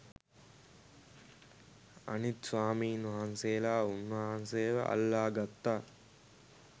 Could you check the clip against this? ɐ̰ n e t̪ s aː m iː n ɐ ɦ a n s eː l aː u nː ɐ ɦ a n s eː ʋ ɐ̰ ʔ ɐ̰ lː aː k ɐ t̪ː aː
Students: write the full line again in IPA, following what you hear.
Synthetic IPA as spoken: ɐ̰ n i t̪ s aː m iː n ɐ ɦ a n s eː l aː u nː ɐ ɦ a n s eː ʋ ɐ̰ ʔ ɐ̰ lː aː ɡ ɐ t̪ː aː